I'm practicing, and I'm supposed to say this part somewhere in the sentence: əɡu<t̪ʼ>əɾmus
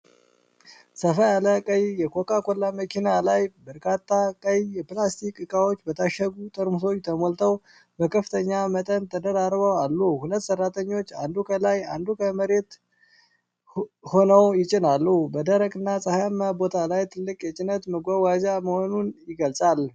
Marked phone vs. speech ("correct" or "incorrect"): correct